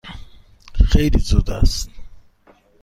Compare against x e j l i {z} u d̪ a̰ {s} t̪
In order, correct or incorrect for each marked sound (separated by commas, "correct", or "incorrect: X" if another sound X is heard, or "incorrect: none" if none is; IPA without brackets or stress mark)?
correct, correct